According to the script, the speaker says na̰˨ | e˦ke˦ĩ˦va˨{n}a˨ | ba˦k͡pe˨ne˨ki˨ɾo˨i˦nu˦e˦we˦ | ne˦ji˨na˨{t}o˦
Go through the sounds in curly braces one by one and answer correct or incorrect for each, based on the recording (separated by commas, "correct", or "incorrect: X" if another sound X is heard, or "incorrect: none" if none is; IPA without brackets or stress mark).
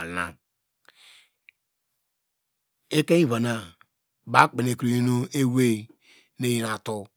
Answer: correct, correct